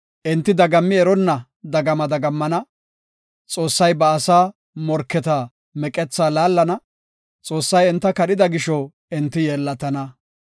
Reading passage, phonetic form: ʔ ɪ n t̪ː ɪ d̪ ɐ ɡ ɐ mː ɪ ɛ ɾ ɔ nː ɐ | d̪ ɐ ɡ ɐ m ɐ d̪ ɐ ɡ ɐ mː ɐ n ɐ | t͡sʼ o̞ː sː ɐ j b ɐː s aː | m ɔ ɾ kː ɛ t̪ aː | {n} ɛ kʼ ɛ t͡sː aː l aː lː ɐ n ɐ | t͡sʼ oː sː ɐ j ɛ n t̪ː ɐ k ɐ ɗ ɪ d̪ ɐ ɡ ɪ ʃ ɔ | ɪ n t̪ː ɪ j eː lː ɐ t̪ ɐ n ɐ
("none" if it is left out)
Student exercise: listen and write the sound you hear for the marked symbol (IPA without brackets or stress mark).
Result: m